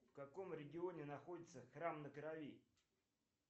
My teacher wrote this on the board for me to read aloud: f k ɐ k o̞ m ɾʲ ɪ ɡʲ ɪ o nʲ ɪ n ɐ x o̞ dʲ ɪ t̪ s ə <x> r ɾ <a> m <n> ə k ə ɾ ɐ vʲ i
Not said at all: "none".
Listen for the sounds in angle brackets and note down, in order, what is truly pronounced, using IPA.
x, a, n

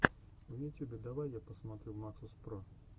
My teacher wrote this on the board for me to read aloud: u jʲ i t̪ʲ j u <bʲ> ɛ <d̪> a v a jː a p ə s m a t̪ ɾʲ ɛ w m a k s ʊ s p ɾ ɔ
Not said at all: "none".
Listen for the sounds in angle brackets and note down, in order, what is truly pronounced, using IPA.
bʲ, d̪

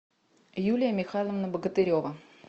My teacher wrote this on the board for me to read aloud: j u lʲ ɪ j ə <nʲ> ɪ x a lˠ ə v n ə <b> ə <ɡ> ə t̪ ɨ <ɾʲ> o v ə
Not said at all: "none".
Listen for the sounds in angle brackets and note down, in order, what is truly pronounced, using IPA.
mʲ, b, ɡ, ɾʲ

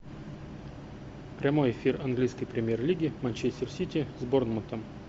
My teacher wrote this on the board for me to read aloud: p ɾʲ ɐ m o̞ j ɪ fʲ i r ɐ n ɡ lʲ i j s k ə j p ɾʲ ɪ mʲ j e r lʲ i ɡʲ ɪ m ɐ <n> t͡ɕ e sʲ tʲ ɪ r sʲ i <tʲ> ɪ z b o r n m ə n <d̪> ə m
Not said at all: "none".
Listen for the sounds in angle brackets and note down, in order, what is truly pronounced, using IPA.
n, tʲ, t̪

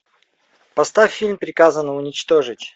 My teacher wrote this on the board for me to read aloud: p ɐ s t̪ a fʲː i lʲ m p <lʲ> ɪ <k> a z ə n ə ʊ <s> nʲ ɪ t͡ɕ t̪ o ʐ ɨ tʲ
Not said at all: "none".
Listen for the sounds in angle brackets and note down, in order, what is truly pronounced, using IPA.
ɾʲ, k, none

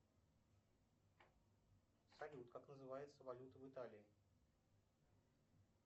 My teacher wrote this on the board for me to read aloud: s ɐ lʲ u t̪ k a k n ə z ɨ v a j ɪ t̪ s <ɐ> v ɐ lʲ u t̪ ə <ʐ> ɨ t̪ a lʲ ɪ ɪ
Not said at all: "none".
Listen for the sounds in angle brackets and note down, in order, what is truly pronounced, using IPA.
ə, v

